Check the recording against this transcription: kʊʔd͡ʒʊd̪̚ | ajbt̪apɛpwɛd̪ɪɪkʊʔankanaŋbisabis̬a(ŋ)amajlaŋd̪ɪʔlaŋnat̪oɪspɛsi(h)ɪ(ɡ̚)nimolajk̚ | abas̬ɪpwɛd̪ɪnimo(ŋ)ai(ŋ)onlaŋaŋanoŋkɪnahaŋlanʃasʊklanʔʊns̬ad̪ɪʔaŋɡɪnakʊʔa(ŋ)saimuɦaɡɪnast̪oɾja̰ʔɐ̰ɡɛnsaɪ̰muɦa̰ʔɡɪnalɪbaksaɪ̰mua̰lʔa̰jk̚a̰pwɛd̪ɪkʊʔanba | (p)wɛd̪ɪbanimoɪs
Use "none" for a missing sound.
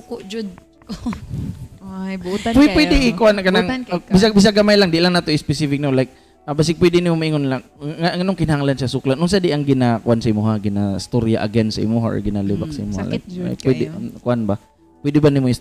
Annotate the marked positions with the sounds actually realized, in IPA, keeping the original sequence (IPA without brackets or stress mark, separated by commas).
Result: ɡ, f, k̚, m, ŋ, n, p